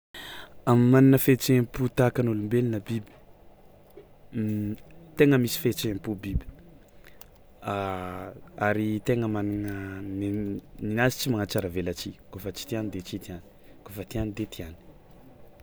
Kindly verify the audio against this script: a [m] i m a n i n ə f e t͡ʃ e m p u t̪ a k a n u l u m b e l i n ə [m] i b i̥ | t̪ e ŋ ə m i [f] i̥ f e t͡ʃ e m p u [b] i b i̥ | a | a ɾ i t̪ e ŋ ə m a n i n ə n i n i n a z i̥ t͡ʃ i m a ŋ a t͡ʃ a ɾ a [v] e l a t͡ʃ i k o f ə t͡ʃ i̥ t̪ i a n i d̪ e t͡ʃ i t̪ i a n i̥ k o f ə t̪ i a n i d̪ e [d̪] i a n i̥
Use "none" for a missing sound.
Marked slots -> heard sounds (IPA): m, b, s, b, v, t̪

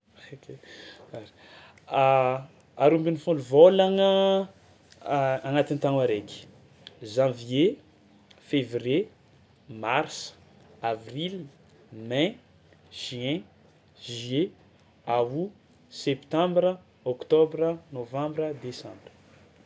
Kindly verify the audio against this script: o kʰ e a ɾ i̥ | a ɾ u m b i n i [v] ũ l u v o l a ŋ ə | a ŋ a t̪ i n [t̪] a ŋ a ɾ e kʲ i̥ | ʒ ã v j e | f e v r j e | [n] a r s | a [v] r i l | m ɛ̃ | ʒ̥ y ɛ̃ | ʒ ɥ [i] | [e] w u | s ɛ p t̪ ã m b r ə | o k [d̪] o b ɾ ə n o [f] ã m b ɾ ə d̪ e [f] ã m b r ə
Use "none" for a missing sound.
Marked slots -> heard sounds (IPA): f, t̪, m, v, e, a, t̪, v, s

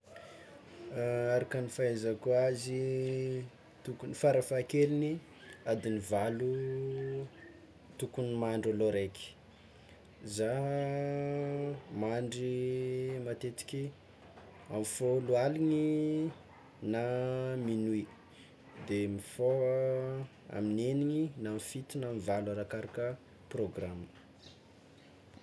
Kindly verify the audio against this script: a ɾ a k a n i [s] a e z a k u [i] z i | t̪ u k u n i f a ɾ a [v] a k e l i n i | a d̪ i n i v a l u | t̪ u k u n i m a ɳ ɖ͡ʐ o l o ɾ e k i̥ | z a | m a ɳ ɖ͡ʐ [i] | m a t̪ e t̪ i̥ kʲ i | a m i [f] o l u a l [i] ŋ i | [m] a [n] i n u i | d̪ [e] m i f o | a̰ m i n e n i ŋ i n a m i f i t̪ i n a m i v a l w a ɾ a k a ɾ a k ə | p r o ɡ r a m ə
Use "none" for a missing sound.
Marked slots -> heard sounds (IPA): f, a, f, i, f, i, n, m, e

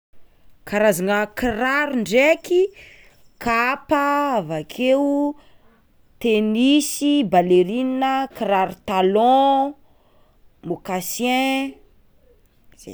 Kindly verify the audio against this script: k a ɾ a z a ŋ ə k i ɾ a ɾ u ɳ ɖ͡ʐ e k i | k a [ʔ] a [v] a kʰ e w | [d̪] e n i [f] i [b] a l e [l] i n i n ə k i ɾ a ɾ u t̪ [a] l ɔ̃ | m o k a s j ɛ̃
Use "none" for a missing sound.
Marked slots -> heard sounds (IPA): p, v, t̪, s, b, ɾ, a

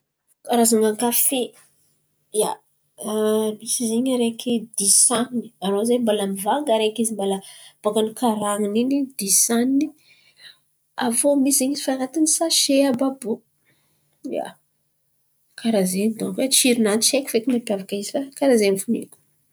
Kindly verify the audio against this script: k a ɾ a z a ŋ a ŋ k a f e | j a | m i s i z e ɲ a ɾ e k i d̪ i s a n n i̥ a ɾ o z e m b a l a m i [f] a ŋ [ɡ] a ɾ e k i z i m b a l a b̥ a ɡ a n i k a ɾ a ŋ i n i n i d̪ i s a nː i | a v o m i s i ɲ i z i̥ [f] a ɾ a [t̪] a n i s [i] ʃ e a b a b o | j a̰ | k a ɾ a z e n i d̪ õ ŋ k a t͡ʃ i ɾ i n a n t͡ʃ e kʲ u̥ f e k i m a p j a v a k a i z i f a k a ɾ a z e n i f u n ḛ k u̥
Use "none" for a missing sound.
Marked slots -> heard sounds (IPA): v, ɡ, f, t̪, a

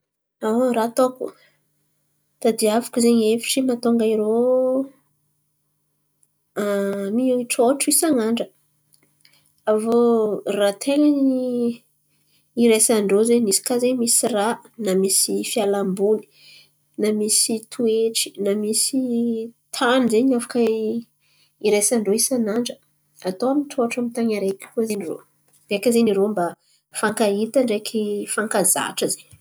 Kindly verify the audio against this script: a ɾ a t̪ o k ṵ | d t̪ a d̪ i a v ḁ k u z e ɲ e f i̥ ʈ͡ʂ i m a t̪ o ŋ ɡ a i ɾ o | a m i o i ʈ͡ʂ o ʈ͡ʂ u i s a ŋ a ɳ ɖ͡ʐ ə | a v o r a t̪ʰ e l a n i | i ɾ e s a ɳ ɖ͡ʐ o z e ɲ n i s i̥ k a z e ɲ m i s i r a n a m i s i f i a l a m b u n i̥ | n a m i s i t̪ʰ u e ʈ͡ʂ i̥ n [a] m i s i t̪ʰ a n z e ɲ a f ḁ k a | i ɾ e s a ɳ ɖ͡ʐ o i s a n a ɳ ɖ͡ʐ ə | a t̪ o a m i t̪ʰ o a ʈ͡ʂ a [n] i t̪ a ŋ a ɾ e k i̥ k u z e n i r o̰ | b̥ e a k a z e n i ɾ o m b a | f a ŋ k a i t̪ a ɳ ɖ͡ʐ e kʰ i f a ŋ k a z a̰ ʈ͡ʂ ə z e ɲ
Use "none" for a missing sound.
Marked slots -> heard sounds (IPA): a, m

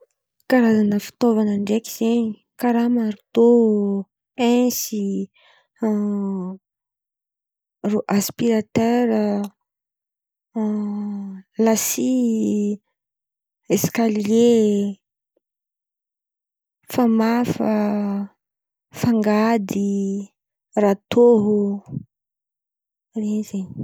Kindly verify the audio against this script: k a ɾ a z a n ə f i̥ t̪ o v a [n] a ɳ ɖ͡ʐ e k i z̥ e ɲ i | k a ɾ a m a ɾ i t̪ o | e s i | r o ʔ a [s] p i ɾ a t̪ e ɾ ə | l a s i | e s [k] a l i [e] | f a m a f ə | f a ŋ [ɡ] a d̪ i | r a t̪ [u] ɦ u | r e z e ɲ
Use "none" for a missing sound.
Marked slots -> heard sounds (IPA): n, s, k, e, ɡ, o

